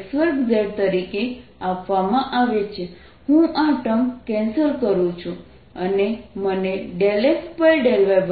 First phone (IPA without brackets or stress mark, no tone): s